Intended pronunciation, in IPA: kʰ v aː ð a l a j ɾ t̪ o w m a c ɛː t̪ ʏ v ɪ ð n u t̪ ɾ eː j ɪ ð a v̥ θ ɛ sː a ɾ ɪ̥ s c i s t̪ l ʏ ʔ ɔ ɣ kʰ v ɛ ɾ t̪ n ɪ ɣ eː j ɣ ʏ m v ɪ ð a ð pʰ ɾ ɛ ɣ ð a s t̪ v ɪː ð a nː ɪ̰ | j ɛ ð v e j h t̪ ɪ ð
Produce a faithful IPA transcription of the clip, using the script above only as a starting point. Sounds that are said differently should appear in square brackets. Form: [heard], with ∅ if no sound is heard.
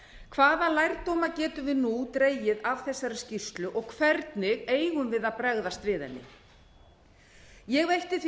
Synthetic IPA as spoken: kʰ v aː ð a l a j ɾ t̪ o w m a c ɛː t̪ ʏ v ɪ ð n u t̪ ɾ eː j ɪ ð a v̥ θ ɛ sː a ɾ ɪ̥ s c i s t̪ l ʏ ʔ ɔ ɣ kʰ v ɛ ɾ t̪ n ɪ ɣ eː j ɣ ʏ m v ɪ ð a ð [p] ɾ ɛ ɣ ð a s t̪ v ɪː ð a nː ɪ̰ | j ɛ [ɣ] v e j h t̪ ɪ [θ]